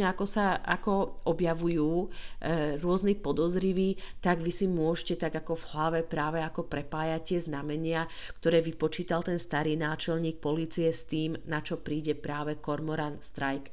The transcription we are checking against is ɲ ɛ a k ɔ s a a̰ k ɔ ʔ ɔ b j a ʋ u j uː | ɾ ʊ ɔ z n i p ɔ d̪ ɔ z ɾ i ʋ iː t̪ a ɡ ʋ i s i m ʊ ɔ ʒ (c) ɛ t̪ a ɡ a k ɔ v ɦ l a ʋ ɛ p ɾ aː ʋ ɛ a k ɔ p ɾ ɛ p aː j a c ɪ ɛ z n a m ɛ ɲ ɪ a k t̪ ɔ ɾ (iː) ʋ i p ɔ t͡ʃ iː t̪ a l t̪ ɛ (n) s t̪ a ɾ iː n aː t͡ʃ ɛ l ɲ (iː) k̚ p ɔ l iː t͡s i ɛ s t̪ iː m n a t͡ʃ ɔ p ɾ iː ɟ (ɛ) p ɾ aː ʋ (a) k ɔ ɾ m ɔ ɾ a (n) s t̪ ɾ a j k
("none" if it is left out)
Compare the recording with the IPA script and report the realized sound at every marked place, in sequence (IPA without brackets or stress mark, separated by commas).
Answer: c, ɛː, n, iː, ɛ, ɛ, n